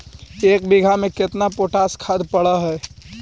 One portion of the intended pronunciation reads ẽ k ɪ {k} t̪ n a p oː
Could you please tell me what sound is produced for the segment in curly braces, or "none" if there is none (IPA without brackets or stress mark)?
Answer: none